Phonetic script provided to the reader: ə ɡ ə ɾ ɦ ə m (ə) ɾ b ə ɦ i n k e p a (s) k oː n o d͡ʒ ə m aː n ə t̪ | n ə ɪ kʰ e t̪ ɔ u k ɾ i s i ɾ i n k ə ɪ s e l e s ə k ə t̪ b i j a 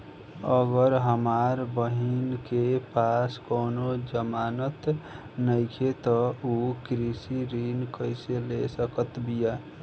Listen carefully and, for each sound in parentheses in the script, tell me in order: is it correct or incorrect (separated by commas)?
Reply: incorrect, correct